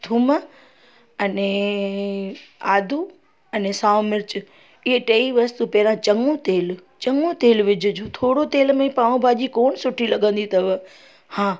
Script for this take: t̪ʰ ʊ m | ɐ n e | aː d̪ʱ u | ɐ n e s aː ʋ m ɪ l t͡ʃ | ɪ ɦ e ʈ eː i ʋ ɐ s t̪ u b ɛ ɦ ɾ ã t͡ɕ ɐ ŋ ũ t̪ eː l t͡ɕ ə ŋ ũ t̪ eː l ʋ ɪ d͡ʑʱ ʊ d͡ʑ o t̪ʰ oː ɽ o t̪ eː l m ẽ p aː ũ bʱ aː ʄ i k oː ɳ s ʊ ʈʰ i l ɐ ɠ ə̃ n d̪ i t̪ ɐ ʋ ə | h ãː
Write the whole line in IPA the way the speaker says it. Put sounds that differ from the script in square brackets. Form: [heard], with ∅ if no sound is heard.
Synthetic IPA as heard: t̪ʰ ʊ m | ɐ n e | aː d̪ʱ u | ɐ n e s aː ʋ m ɪ [ɾ] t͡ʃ | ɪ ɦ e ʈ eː i ʋ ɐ s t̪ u [p] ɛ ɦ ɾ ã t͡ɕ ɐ ŋ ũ t̪ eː l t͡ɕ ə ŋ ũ t̪ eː l ʋ ɪ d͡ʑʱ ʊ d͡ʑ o t̪ʰ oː ɽ o t̪ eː l m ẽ p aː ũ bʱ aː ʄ i k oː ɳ s ʊ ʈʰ i l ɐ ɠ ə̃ n d̪ i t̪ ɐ ʋ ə | h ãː